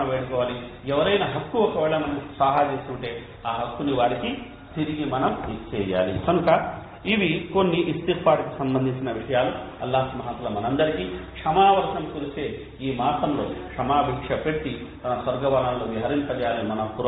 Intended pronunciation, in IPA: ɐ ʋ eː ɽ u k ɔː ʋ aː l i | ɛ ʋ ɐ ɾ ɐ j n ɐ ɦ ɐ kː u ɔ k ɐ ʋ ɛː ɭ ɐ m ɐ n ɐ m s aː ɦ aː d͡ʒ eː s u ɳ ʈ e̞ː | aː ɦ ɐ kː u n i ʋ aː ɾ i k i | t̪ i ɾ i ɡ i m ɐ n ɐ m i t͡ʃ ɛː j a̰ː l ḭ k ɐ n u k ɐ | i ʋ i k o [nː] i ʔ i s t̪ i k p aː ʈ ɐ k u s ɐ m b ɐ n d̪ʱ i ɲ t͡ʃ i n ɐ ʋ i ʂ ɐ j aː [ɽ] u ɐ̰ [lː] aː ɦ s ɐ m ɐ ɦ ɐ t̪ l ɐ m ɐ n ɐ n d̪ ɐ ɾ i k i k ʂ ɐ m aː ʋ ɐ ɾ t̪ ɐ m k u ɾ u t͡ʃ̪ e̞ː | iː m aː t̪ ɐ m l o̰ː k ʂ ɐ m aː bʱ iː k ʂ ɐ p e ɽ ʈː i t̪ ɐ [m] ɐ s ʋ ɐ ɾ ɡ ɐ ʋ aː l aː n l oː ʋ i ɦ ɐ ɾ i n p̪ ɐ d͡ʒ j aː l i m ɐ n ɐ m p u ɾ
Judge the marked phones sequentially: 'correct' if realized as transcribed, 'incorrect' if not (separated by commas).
correct, incorrect, correct, incorrect